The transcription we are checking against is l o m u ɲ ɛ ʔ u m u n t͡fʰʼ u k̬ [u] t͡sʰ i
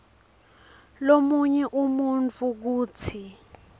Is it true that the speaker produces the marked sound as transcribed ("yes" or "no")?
no